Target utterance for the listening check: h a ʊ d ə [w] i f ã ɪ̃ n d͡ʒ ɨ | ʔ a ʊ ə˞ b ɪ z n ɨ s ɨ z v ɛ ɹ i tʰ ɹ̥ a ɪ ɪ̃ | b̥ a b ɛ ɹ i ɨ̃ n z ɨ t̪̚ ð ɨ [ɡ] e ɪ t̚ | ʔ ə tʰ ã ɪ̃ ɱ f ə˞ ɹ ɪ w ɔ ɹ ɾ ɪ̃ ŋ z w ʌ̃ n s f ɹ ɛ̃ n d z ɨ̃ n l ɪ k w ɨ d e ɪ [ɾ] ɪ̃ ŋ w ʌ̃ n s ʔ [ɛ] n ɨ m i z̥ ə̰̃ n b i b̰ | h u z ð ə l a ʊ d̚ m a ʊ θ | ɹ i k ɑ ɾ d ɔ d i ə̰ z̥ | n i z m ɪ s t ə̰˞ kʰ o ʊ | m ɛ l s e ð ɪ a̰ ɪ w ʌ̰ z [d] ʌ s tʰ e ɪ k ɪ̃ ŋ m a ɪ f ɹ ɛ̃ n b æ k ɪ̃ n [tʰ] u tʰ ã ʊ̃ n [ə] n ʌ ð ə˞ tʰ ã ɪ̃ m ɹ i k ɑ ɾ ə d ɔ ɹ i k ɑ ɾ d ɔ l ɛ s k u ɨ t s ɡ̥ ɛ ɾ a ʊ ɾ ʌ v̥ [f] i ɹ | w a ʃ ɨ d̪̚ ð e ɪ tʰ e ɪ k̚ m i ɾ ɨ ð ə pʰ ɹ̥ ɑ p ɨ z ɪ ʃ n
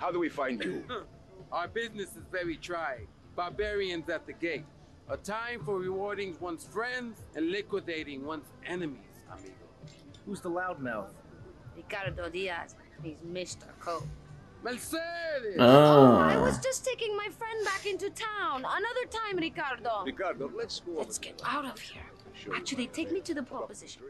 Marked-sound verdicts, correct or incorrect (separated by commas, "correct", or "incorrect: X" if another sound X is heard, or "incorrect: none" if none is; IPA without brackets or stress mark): correct, correct, correct, correct, incorrect: d͡ʒ, incorrect: t, correct, incorrect: h